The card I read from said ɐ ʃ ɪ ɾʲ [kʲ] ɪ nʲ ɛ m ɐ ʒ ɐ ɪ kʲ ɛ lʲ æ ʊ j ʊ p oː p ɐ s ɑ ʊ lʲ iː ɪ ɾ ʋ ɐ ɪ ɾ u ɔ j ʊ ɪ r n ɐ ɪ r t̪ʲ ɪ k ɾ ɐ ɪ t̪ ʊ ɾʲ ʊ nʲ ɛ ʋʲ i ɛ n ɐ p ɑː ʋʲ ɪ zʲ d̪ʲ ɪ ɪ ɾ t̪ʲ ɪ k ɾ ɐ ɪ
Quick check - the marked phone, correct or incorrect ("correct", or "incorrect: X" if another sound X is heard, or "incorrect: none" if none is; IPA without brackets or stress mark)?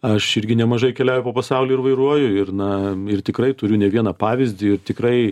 incorrect: ɡʲ